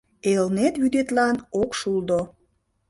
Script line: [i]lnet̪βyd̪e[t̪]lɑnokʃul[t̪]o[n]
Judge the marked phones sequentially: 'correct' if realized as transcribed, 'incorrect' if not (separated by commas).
incorrect, correct, incorrect, incorrect